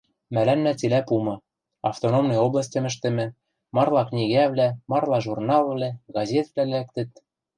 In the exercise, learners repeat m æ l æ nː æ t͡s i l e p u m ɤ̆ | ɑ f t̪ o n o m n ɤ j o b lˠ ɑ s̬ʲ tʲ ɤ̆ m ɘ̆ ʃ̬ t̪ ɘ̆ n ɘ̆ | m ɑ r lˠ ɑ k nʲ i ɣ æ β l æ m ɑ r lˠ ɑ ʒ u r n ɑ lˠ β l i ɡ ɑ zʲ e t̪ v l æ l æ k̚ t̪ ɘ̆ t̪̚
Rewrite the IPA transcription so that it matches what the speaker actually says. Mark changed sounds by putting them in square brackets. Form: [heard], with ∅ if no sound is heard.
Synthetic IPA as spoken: m æ l æ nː æ t͡s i l [æ] p u m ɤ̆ | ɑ f t̪ o n o m n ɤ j o b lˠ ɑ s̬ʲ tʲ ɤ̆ m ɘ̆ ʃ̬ t̪ ɘ̆ [m] ɘ̆ | m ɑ r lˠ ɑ k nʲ i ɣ æ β l æ m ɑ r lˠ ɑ ʒ u r n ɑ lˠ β l [æ] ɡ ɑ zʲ e t̪ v l æ l æ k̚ t̪ ɘ̆ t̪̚